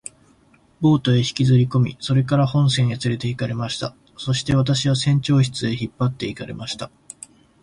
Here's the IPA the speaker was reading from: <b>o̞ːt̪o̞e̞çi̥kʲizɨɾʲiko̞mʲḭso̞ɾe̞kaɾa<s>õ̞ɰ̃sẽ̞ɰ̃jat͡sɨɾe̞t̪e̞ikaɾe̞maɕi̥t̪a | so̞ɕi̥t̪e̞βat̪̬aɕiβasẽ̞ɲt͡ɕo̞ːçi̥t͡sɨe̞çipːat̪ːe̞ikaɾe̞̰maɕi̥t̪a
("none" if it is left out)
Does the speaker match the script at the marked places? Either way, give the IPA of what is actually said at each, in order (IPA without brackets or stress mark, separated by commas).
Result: b, h